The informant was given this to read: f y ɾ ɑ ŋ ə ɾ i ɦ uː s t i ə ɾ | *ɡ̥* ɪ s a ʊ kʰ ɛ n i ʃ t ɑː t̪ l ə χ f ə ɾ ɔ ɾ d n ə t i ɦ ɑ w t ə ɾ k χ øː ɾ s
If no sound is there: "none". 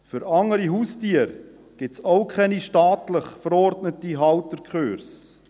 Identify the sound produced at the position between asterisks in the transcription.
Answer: ɡ̥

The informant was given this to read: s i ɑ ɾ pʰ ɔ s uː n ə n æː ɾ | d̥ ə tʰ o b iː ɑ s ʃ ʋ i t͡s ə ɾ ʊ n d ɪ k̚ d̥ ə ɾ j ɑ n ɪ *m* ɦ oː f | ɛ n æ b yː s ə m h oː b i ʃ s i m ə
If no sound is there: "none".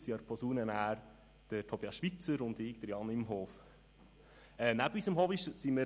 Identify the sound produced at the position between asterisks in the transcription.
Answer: m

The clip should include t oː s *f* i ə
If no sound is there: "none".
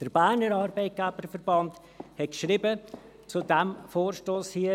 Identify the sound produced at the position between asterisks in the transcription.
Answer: h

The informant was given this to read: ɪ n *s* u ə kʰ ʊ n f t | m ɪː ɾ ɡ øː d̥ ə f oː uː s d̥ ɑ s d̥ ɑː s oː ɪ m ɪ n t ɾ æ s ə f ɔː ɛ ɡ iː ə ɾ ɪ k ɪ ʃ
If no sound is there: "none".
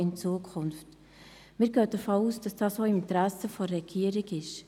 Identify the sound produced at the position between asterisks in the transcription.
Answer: t͡s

